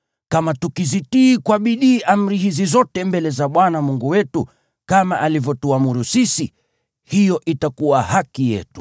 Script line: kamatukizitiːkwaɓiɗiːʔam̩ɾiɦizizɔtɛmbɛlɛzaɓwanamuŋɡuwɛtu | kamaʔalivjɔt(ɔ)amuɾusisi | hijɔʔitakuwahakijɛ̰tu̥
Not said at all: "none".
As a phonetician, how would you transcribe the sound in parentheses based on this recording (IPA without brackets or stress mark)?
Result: u